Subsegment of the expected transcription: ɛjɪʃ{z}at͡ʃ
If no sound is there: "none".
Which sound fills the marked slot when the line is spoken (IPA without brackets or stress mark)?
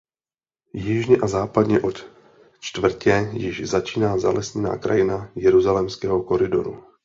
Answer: z